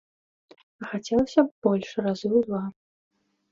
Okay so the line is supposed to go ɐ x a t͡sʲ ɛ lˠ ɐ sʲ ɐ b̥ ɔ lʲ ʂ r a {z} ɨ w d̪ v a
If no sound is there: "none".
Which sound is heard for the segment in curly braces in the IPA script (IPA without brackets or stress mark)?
z